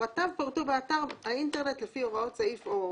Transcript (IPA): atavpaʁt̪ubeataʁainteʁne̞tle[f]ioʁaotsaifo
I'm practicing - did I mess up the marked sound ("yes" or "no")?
no